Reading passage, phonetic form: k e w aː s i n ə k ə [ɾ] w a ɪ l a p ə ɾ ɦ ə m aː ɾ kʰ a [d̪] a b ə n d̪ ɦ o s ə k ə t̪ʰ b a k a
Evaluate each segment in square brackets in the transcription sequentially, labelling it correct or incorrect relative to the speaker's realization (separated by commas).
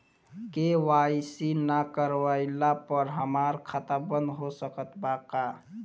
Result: correct, incorrect